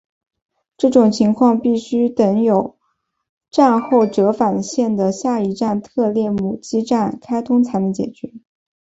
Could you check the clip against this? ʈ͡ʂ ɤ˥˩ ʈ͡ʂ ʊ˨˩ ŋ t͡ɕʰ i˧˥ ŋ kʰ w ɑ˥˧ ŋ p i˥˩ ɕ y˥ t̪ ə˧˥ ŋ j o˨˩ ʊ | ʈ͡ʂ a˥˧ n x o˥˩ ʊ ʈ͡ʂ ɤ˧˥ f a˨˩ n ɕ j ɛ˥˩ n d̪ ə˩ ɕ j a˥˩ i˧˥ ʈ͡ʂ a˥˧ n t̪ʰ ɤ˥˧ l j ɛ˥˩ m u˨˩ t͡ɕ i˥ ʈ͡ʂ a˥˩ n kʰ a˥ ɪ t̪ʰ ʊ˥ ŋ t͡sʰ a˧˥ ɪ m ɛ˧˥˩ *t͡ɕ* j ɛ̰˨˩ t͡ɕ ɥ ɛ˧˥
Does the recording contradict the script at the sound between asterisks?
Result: no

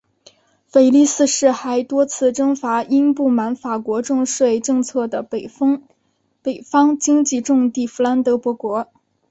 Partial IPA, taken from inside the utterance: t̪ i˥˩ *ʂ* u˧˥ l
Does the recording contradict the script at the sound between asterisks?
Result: yes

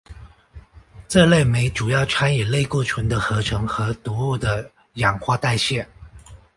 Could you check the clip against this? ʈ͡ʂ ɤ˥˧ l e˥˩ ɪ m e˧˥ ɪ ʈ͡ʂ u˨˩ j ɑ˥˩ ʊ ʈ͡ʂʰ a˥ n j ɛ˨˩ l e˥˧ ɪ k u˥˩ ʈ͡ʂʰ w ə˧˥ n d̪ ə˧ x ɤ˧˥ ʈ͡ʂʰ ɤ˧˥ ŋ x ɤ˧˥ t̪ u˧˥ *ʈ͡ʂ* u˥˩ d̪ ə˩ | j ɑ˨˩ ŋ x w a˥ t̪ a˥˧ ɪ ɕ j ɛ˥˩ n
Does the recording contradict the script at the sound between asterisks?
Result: yes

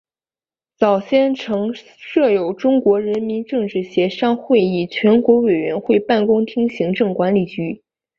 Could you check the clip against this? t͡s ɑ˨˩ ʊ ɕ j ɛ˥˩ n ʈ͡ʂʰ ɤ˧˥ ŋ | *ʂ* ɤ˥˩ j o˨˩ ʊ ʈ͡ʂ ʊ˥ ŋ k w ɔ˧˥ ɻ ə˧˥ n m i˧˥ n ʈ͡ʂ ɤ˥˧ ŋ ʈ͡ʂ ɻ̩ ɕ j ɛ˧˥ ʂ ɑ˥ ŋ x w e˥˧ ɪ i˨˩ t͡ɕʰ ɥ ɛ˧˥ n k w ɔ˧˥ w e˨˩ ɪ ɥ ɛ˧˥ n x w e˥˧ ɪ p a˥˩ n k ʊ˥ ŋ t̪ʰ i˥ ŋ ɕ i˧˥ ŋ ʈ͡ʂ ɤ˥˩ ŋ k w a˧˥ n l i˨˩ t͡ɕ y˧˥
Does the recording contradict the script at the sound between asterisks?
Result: no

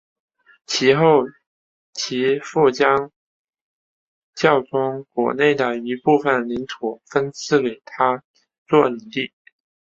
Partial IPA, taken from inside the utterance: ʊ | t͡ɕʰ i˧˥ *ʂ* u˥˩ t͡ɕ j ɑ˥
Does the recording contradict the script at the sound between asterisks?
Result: yes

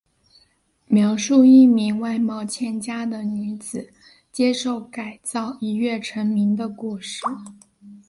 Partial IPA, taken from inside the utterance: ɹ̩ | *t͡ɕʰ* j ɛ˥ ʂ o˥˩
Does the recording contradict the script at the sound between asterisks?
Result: yes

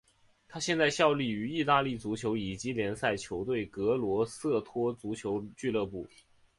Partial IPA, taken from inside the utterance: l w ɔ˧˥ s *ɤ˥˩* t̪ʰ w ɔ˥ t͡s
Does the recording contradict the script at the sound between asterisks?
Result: no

